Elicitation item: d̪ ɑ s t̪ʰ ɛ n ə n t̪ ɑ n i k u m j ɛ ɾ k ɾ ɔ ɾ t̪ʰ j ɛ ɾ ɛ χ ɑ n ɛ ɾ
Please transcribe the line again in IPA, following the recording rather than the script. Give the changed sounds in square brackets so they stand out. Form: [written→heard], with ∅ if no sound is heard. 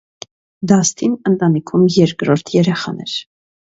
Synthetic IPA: d̪ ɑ s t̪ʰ [ɛ→i] n ə n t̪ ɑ n i [k→kʰ] u m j ɛ ɾ k ɾ ɔ ɾ t̪ʰ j ɛ ɾ ɛ χ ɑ n ɛ ɾ